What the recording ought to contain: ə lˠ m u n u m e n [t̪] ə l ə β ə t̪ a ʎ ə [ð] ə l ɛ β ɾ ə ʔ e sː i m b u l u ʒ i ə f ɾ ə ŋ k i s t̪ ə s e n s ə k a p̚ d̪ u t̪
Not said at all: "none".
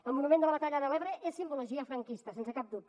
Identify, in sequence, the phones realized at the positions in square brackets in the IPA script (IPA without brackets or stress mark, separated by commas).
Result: d̪, ð